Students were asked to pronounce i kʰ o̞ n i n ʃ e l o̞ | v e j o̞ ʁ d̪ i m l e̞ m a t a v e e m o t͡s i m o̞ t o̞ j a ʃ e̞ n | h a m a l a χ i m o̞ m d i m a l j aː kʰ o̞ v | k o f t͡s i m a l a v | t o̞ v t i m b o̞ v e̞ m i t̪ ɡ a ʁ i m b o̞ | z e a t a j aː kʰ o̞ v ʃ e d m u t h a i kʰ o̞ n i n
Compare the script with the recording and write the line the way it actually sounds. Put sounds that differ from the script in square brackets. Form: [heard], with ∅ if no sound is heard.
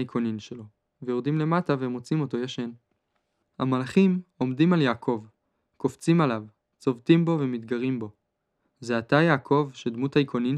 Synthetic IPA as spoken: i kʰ o̞ n i n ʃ e l o̞ | v e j o̞ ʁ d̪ i m l e̞ m a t a v e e m o t͡s i m o̞ t o̞ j a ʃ e̞ n | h a m a l a χ i m o̞ m d i m a l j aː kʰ o̞ v | k o f t͡s i m a l a v | [t͡s] o̞ v t i m b o̞ v e̞ m i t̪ ɡ a ʁ i m b o̞ | z e a t a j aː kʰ o̞ v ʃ e d m u t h a i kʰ o̞ n i n